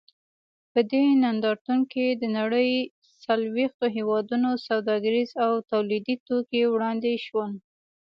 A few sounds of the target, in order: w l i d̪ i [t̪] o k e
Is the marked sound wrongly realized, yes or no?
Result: no